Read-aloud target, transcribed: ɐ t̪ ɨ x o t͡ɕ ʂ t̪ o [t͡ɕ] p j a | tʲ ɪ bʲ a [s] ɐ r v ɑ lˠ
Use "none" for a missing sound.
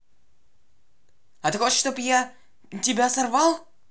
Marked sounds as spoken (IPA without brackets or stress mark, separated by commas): none, s